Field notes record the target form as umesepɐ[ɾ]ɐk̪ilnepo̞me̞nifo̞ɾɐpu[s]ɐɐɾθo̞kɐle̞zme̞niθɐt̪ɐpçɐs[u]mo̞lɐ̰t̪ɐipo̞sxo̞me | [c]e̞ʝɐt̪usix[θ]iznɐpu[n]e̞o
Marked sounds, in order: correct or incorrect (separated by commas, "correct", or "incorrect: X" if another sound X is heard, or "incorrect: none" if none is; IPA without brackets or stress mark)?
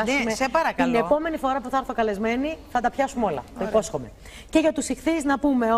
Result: correct, incorrect: θ, correct, correct, correct, incorrect: m